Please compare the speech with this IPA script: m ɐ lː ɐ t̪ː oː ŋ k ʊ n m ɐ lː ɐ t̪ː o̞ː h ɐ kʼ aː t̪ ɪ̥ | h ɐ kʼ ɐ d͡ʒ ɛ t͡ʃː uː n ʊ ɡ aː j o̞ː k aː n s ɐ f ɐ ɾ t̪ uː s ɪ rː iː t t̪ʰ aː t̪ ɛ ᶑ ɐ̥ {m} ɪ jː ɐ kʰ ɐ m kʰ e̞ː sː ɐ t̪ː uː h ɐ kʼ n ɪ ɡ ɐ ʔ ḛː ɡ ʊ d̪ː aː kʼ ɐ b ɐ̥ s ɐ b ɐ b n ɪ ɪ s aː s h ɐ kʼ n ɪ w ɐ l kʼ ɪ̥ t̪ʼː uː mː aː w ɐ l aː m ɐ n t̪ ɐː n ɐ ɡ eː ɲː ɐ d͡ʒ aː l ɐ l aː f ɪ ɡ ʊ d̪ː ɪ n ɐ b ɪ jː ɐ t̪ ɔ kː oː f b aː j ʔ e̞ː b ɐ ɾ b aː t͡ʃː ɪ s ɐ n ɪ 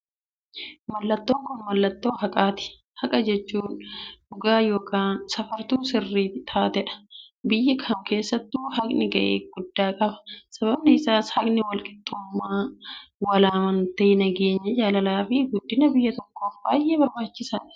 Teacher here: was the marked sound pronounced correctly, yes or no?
no